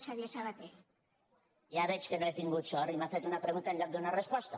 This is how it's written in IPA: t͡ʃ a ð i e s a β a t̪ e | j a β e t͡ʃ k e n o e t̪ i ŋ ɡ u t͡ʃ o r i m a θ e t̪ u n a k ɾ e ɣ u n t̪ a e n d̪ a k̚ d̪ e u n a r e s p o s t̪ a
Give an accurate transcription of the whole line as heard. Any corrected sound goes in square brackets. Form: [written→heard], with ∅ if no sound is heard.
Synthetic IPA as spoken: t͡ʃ a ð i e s a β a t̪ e | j a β e t͡ʃ k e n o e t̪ i ŋ ɡ u t͡ʃ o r i m a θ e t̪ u n a [k→p] ɾ e ɣ u n t̪ a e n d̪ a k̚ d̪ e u n a r e s p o s t̪ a